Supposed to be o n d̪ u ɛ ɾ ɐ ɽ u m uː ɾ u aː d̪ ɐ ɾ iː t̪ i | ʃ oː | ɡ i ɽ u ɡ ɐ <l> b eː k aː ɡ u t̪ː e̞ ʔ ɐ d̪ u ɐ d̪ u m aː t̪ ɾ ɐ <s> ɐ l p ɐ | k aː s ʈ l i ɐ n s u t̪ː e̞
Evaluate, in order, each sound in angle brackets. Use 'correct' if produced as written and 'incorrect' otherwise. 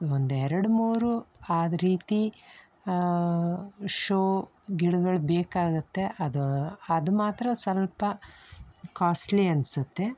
incorrect: ɭ, correct

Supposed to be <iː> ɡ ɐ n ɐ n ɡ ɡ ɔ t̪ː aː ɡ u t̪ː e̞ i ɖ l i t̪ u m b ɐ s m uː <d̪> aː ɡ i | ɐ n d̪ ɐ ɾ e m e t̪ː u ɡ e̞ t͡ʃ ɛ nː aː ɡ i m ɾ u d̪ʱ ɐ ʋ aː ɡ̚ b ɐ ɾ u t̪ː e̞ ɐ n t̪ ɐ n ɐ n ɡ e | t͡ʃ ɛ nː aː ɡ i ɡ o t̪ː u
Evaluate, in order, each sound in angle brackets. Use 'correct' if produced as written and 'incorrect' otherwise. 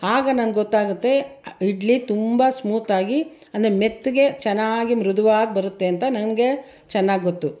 incorrect: aː, incorrect: t̪

